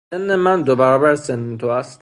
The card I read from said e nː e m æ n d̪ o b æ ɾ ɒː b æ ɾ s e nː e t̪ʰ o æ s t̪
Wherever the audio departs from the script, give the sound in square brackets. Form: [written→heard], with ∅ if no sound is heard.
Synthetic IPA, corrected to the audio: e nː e m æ n d̪ o b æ ɾ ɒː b æ ɾ s e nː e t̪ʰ o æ s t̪